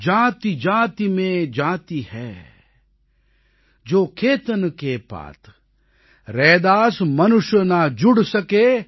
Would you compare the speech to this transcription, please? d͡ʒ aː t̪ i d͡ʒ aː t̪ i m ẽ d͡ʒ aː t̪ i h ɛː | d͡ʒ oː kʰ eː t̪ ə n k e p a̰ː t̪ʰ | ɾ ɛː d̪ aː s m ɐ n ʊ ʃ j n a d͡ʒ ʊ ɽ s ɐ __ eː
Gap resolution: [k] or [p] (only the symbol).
k